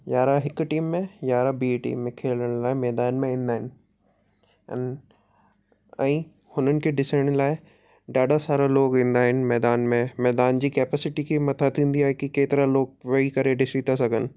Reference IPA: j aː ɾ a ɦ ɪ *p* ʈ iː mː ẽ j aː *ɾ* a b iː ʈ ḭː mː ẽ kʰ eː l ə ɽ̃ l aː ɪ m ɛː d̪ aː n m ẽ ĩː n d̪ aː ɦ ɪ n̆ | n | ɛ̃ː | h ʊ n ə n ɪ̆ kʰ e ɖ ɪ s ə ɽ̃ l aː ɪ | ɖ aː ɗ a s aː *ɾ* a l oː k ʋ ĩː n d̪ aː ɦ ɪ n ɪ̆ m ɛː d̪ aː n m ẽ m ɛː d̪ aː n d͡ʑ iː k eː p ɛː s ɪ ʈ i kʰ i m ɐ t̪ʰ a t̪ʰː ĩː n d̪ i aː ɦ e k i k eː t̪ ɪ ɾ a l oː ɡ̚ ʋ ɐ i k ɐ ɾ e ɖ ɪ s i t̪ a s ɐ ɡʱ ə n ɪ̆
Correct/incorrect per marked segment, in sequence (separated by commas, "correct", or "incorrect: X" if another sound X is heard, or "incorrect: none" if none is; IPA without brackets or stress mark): incorrect: k, correct, correct